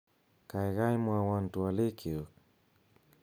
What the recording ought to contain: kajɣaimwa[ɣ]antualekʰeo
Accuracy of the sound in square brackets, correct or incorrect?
incorrect: w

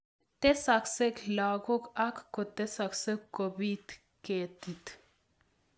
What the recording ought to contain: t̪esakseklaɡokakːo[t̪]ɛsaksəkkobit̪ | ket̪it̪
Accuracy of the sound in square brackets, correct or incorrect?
correct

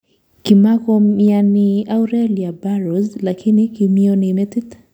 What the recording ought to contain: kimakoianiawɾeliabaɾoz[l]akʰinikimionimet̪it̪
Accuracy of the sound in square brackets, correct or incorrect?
correct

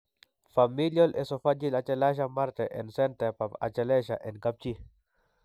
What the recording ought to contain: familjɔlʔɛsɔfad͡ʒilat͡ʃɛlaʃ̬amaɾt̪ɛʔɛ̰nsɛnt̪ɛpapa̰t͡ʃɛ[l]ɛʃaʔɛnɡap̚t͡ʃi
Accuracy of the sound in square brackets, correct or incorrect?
correct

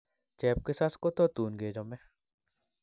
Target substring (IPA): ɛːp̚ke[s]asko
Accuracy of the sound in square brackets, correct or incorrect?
correct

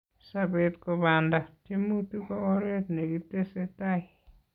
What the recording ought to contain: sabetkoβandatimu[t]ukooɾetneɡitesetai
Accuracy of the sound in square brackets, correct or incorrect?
correct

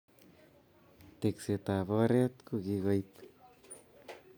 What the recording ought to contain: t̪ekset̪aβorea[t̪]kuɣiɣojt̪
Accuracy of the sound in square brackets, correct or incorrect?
correct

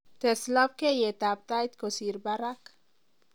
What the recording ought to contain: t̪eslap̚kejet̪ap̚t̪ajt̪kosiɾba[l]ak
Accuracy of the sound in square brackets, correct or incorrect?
incorrect: ɾ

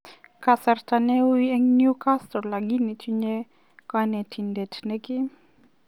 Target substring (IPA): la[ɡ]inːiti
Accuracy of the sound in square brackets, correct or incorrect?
correct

